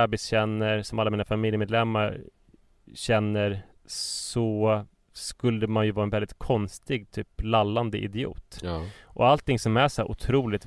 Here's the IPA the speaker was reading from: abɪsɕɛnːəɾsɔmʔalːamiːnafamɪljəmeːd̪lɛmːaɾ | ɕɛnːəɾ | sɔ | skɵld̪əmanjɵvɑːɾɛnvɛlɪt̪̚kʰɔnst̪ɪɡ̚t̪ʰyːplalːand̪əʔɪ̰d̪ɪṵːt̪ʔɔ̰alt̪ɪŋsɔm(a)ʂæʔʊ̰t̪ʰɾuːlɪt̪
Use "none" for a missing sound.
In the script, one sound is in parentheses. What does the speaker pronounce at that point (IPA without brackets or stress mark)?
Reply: æ